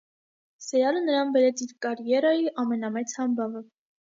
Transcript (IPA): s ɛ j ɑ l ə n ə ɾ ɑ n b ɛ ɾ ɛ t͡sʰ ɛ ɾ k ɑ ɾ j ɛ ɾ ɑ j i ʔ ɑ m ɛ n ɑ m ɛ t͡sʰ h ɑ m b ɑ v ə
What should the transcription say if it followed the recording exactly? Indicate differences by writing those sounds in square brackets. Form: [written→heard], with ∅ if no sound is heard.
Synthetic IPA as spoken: s ɛ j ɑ l ə n ə ɾ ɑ n b ɛ ɾ ɛ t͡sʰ [ɛ→i] ɾ k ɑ ɾ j ɛ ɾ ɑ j i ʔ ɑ m ɛ n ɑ m ɛ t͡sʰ h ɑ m b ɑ v ə